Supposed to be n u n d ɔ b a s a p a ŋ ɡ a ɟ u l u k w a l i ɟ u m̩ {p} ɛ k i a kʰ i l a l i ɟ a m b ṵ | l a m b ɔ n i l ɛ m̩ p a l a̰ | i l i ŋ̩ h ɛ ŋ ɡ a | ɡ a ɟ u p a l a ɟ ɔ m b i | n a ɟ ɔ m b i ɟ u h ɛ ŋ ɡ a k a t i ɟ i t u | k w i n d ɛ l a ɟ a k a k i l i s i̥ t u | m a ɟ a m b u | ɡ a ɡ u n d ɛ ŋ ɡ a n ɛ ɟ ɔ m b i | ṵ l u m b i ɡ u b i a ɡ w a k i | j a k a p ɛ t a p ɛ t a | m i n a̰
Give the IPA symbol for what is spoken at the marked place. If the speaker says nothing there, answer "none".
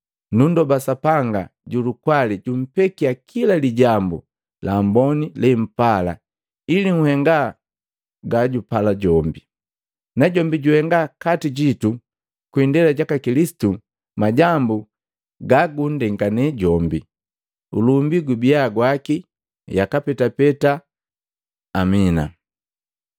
p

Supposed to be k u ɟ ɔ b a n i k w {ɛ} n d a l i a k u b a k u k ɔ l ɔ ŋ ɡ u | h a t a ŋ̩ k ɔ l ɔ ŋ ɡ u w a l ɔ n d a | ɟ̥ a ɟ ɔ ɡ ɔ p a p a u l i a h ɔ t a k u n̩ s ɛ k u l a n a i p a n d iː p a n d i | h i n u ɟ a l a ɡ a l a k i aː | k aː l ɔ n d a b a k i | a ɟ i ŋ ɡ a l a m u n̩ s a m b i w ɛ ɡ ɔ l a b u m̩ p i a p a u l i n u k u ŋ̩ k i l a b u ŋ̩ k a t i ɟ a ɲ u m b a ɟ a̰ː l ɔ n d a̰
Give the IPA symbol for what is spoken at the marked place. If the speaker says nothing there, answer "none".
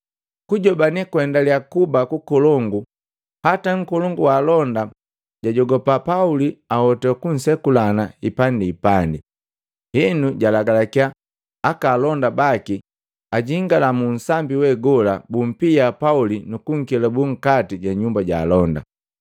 ɛ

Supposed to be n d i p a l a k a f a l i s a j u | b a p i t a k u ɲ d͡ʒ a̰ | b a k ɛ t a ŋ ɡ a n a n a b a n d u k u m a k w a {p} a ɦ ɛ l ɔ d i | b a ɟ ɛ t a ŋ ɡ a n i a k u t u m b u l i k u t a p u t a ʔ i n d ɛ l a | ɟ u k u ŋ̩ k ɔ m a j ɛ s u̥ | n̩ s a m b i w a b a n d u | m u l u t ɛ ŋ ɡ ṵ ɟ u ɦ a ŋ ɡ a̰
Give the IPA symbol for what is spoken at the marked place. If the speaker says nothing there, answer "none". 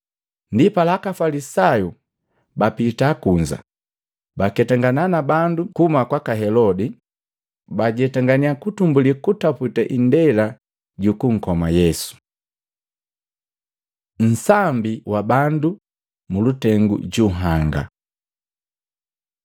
k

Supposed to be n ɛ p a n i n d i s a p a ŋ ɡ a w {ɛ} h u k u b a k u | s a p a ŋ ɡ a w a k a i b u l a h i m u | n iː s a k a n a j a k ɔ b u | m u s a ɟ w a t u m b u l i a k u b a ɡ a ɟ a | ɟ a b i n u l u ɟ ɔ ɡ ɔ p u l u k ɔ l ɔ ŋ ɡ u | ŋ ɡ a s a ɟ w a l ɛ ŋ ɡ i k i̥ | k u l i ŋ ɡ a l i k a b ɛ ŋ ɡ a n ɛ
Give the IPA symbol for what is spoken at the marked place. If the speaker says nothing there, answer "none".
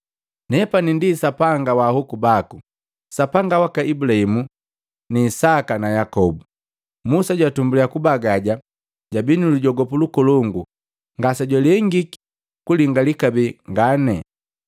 a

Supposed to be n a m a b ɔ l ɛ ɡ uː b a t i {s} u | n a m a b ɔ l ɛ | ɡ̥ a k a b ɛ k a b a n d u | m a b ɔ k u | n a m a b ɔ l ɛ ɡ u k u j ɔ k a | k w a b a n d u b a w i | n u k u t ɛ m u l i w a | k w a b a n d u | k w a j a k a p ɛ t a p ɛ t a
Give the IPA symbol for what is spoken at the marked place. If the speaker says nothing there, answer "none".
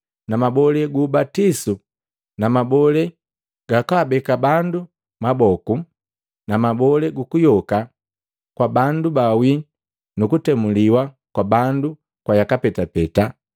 s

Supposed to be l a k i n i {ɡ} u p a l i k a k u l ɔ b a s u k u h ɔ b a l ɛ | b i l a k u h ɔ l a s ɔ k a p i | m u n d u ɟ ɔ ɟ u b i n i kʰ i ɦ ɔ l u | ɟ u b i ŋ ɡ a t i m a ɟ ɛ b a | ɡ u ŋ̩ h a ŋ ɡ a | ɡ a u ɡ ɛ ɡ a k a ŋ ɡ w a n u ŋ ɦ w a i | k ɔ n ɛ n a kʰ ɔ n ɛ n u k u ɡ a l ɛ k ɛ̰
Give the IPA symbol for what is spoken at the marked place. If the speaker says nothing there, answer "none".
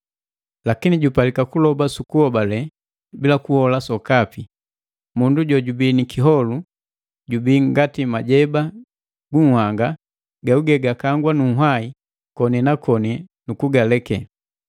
ɟ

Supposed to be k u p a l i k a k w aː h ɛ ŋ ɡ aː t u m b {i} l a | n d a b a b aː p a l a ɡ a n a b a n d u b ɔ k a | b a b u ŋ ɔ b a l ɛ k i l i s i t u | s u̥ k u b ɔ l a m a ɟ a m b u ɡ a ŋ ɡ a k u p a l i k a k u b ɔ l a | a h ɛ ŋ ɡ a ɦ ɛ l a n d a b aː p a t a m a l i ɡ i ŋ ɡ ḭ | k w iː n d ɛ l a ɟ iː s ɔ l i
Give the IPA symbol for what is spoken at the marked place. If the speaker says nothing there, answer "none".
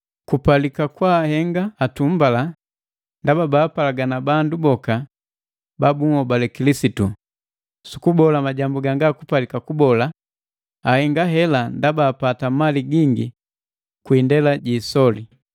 a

